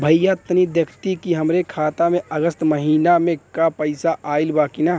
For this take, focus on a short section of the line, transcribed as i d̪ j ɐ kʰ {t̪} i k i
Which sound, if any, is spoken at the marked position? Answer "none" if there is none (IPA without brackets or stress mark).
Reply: t̪